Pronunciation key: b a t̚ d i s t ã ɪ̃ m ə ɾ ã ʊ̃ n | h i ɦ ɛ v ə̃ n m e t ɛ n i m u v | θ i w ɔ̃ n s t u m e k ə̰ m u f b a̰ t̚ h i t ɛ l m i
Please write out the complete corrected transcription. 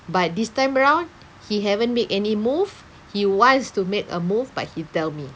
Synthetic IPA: b a t̚ d i s t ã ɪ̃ m ə ɹ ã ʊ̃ n | h i ɦ ɛ v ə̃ n m e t ɛ n i m u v | h i w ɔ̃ n s t u m e k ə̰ m u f b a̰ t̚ h i t ɛ l m i